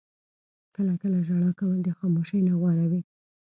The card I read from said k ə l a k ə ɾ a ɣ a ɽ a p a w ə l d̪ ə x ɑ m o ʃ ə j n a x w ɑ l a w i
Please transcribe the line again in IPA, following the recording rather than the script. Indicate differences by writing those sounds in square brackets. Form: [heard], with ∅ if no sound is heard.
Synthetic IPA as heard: k ə l a k ə [l] a [ʒ] a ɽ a [k] a w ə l d̪ ə x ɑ m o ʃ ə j n a [ɣ] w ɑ [ɾ] a w i